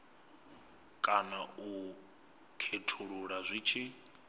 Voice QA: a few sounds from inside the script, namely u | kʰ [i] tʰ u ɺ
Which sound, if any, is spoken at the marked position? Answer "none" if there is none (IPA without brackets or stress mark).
e